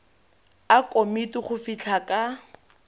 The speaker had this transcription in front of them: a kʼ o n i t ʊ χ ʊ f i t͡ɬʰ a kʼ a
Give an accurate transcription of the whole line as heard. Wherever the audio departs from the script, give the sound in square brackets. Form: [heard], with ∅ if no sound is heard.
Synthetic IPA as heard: a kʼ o [m] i t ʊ χ ʊ f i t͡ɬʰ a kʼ a